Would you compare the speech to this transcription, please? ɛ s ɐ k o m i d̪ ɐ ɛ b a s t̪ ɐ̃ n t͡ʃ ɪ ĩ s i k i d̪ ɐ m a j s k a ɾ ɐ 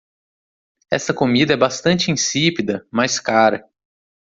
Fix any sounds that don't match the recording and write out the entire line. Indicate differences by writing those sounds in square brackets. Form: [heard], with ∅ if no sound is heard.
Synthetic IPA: ɛ s ɐ k o m i d̪ ɐ ɛ b a s t̪ ɐ̃ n t͡ʃ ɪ ĩ s i [p] i d̪ ɐ m a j s k a ɾ ɐ

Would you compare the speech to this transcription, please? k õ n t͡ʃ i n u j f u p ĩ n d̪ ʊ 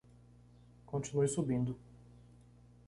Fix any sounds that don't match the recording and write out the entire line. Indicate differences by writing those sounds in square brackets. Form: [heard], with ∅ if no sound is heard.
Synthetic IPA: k õ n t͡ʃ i n u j [s] u [b] ĩ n d̪ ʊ

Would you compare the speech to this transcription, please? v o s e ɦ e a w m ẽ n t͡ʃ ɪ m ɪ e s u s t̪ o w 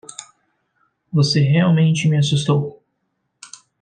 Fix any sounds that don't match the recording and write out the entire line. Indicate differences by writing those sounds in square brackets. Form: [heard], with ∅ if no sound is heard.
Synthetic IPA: v o s e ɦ e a w m ẽ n t͡ʃ ɪ m ɪ [a] s u s t̪ o w

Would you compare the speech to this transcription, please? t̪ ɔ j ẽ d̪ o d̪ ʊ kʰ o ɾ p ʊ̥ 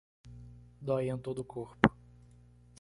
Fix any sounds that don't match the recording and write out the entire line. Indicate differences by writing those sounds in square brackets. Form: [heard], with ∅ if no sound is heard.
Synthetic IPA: [d̪] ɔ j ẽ [t̪] o d̪ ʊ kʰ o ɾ p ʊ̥

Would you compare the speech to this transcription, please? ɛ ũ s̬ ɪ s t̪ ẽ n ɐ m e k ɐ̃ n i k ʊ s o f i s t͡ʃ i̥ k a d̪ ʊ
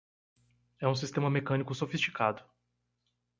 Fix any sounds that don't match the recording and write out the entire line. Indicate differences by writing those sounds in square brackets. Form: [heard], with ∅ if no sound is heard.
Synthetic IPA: ɛ ũ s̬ [i] s t̪ ẽ [m] ɐ m e k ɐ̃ n i k ʊ s o f i s t͡ʃ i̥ k a d̪ ʊ

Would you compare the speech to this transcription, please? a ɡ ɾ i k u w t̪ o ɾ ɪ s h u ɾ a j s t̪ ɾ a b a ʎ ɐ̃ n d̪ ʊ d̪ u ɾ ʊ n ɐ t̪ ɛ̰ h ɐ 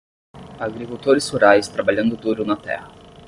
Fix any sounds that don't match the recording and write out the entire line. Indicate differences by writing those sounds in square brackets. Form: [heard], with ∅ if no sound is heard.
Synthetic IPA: a ɡ ɾ i k u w t̪ o ɾ ɪ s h u ɾ a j s t̪ ɾ a b a ʎ ɐ̃ n d̪ ʊ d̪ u ɾ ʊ n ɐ t̪ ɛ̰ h ɐ

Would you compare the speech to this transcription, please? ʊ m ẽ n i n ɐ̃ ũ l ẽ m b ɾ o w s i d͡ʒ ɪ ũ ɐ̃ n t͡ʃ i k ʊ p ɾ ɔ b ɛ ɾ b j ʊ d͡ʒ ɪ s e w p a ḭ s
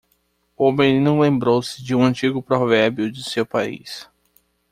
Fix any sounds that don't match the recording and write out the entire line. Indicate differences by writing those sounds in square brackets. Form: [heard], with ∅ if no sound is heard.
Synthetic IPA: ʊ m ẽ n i n ɐ̃ [w̃] l ẽ m b ɾ o w s [ɪ] d͡ʒ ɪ ũ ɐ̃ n t͡ʃ i [ɡ] ʊ p ɾ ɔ [v] ɛ ɾ b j ʊ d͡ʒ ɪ s e w p a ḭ s

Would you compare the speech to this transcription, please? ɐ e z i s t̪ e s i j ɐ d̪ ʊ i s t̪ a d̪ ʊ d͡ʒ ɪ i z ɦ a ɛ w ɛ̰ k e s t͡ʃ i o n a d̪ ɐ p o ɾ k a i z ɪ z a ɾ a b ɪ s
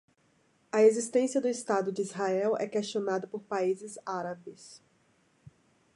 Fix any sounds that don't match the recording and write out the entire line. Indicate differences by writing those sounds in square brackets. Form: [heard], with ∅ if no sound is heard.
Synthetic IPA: ɐ e z i s t̪ [ẽ] s i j ɐ d̪ ʊ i s t̪ a d̪ ʊ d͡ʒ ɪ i z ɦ a ɛ w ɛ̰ k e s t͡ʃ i o n a d̪ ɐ p o ɾ [p] a i z ɪ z a ɾ a b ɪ s

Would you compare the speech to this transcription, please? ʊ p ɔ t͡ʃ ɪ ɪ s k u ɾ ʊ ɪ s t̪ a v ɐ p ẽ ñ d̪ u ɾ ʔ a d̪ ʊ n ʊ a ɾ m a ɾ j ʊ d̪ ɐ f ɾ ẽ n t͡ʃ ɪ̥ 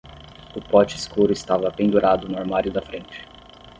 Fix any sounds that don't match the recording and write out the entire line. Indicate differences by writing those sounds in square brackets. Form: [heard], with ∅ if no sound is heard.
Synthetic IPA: ʊ p ɔ t͡ʃ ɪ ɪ s k u ɾ ʊ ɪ s t̪ a v ɐ p ẽ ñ d̪ u ɾ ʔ a d̪ ʊ n ʊ a ɾ m a ɾ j ʊ d̪ ɐ f ɾ ẽ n t͡ʃ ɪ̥

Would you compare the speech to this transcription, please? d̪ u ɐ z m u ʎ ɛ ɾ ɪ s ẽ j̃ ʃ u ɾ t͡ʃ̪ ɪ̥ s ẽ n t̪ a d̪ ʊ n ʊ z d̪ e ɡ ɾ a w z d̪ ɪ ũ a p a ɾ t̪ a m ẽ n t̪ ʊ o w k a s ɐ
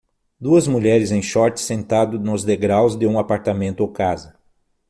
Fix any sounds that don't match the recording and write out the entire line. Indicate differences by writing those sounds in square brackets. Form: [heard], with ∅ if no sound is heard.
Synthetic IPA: d̪ u ɐ z m u ʎ ɛ ɾ ɪ [z] ẽ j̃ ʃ [ɔ] ɾ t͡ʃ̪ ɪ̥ s ẽ n t̪ a d̪ ʊ n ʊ z d̪ e ɡ ɾ a w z d̪ ɪ ũ a p a ɾ t̪ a m ẽ n t̪ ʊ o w k a [z] ɐ

